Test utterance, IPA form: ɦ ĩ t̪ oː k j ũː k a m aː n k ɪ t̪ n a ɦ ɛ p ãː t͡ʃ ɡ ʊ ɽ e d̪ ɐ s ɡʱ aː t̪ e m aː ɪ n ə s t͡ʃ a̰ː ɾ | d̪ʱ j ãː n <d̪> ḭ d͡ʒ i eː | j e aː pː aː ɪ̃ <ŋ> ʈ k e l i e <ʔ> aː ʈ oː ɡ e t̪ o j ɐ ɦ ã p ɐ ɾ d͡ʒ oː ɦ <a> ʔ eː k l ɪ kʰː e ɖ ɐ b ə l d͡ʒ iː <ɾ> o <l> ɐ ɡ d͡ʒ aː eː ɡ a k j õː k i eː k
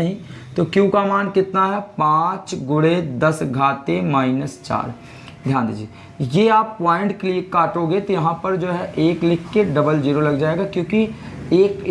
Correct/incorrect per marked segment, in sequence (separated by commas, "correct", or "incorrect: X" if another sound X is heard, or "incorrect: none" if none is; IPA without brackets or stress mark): correct, incorrect: ɳ, incorrect: k, incorrect: ɛ, correct, correct